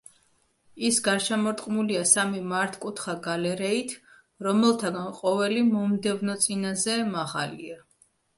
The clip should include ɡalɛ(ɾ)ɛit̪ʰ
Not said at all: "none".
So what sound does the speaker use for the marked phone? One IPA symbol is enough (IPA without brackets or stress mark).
ɾ